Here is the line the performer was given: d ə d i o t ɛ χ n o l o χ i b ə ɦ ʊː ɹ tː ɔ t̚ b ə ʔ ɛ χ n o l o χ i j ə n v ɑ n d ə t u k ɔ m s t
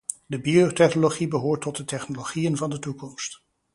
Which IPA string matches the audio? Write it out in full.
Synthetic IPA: d ə b i o t ɛ χ n o l o χ i b ə ɦ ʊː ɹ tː ɔ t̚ d ə t ɛ χ n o l o χ i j ə n v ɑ n d ə t u k ɔ m s t